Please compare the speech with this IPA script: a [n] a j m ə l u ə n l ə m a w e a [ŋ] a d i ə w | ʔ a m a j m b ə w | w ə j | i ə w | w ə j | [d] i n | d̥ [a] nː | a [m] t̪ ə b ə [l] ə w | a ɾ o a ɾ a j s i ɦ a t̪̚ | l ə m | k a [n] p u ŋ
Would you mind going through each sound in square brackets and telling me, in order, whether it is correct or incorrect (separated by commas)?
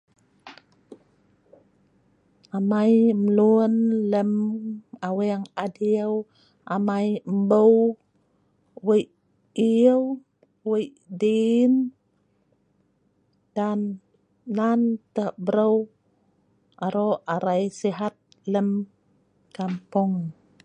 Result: incorrect, correct, correct, correct, incorrect, incorrect, incorrect